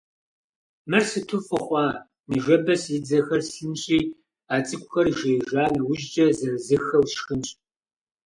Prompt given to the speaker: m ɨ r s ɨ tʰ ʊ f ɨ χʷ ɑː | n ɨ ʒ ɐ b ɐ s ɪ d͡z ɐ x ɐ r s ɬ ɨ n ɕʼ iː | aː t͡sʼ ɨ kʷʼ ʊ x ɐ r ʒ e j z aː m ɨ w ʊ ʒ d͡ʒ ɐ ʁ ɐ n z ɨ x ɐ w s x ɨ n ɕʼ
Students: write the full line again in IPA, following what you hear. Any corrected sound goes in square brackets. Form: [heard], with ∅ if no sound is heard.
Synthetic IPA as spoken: m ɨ r s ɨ tʰ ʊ f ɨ χʷ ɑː | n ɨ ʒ ɐ b ɐ s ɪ d͡z ɐ x ɐ r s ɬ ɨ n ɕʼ iː | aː t͡sʼ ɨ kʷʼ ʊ x ɐ r ʒ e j [ʒ] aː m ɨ w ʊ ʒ d͡ʒ ɐ [z] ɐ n z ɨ x ɐ w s x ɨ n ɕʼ